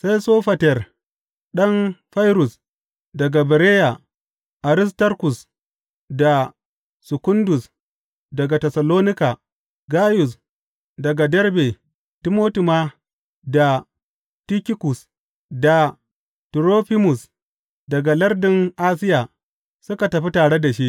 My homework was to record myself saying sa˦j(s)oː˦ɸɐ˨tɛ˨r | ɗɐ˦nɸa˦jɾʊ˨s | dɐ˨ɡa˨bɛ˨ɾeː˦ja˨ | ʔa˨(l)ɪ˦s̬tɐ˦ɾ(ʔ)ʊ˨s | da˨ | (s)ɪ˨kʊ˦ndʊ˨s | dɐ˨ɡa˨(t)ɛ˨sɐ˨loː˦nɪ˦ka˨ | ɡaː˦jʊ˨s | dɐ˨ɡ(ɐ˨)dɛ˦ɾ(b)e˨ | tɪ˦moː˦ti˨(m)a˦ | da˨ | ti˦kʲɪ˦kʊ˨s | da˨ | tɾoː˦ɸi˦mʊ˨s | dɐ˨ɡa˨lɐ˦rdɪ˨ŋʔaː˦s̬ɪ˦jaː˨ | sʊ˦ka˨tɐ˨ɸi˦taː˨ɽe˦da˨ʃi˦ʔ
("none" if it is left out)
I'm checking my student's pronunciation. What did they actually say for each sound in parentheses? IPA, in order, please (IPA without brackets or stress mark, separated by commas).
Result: s, ɾ, k, s, t, a˨, b, m